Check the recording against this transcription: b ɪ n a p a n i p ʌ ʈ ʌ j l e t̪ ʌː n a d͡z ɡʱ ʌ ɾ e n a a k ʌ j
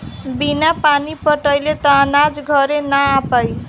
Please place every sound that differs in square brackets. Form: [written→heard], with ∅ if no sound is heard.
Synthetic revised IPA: b [ɪ→i] n a p a n i p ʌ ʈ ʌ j l e t̪ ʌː n a d͡z ɡʱ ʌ ɾ e n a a [k→p] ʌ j